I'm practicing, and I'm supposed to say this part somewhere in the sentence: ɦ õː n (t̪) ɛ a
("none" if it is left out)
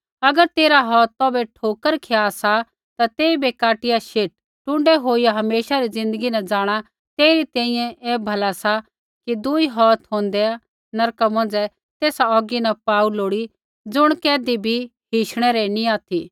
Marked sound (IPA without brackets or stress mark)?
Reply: d̪